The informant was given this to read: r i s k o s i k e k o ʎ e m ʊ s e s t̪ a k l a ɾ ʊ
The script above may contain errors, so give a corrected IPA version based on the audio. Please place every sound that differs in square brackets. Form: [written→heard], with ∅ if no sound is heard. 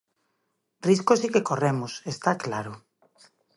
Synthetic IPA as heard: r i s k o s i k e k o [ʎ→r] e m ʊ s e s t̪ a k l a ɾ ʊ